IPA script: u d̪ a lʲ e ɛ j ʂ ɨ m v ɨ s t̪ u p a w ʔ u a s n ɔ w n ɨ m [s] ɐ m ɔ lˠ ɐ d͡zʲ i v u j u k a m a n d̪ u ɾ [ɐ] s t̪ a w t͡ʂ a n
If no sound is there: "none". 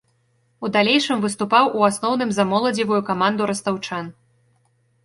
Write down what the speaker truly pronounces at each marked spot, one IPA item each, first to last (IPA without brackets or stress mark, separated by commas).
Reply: z, ɐ